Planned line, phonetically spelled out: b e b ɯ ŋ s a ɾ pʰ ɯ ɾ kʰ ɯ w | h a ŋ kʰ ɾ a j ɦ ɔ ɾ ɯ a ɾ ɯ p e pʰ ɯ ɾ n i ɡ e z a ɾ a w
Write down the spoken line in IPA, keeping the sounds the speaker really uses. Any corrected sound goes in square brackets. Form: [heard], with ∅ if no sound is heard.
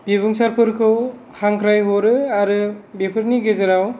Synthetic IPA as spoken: b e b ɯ ŋ s a ɾ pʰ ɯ ɾ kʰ ɯ w | h a ŋ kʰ ɾ a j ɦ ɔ ɾ ɯ a ɾ ɯ [b] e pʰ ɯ ɾ n i ɡ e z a ɾ a w